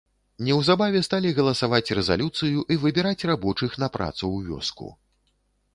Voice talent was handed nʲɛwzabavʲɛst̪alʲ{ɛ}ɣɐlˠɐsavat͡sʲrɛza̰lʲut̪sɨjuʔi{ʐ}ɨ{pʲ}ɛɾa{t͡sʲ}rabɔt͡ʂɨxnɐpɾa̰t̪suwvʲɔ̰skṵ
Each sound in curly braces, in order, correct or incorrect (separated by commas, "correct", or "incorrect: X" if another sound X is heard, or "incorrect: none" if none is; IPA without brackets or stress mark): incorrect: i, incorrect: v, incorrect: bʲ, correct